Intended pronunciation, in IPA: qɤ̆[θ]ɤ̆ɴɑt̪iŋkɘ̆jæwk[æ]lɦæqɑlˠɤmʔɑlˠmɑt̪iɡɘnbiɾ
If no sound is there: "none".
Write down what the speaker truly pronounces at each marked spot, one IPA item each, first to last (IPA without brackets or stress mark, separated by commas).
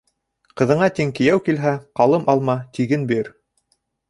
ð, i